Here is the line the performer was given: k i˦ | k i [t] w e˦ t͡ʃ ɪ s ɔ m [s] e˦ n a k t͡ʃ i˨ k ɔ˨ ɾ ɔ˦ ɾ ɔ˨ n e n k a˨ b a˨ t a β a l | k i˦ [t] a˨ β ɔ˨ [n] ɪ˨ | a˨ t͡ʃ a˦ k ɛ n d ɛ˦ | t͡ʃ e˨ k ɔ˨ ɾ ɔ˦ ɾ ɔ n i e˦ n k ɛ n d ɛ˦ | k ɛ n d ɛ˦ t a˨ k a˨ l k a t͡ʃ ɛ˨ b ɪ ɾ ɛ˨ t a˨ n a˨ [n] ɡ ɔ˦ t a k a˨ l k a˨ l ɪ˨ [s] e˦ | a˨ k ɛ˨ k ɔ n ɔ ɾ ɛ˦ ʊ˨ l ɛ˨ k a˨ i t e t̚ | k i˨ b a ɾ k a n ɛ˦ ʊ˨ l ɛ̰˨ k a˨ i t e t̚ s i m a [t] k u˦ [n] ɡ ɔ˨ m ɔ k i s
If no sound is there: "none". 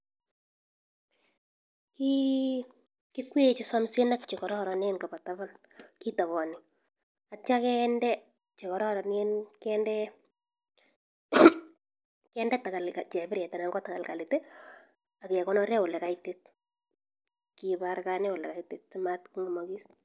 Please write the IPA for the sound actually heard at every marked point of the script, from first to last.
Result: k, s, t, n, ŋ, t, t, ŋ

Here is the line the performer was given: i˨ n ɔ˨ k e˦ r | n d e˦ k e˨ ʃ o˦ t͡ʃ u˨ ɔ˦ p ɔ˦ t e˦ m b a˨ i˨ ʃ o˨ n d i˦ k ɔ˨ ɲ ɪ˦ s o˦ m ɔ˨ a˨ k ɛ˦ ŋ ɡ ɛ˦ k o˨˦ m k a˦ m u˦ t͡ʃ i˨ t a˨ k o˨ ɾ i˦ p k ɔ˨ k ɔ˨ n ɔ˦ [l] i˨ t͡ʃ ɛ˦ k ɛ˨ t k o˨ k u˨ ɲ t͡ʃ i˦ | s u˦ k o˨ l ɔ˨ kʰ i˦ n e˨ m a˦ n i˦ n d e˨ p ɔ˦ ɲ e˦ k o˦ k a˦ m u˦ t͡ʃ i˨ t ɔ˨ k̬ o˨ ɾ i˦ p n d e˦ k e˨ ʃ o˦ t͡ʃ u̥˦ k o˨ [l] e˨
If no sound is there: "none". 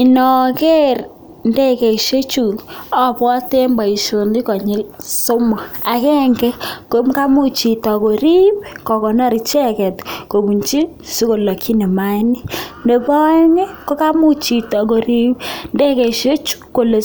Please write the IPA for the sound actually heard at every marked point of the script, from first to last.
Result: ɾ, l

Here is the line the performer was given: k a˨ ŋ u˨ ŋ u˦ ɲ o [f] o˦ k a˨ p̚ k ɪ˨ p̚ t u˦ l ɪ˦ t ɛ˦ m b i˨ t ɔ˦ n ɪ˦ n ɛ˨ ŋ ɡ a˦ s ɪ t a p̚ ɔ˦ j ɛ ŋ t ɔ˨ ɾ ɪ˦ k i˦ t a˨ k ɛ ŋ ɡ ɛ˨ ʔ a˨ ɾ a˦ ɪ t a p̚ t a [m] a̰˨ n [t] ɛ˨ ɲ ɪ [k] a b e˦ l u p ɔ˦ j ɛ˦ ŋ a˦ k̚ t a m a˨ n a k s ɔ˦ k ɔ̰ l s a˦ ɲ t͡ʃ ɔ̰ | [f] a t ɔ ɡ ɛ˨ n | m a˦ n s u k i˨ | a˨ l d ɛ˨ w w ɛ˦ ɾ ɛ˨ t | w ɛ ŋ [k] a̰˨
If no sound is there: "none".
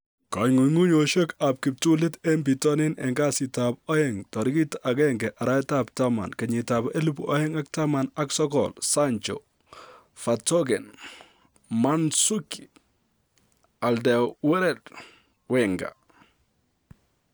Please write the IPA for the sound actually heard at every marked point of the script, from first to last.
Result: ʃ, m, k, t, f, ɡ

